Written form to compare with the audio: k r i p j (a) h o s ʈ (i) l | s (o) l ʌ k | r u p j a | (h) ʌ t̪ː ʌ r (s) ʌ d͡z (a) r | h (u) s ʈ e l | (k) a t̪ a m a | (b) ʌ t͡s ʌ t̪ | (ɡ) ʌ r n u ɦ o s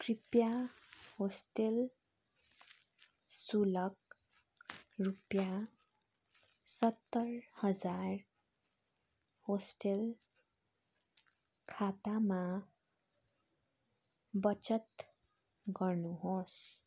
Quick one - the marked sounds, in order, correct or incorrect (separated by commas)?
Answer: correct, incorrect, incorrect, incorrect, incorrect, correct, incorrect, incorrect, correct, correct